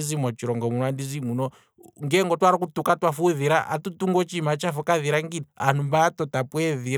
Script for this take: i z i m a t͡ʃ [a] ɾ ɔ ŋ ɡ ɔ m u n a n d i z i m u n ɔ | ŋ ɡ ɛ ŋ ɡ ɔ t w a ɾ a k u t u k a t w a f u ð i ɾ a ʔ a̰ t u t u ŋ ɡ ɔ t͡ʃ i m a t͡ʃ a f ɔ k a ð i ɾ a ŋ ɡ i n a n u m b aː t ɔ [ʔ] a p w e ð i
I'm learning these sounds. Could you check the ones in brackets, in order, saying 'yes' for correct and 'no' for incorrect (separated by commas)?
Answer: no, no